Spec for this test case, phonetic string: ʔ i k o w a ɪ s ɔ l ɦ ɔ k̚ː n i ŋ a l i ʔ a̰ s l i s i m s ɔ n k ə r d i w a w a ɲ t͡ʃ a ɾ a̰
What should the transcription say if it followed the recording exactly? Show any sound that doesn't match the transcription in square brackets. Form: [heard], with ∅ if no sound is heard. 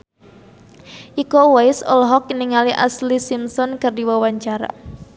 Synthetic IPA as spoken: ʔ i k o w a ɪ s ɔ l ɦ ɔ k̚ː n i ŋ a l i ʔ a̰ s l i s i m s ɔ n k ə r d i w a w a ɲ t͡ʃ a ɾ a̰